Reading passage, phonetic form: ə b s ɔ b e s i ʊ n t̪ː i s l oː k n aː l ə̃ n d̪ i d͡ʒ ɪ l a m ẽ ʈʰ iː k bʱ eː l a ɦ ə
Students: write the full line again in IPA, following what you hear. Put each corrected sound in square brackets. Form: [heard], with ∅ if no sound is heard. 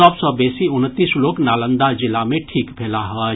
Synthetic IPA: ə b s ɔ b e s i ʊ n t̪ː i s l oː k n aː l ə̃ n d̪ [a] d͡ʒ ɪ l a m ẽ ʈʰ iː k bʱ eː l a ɦ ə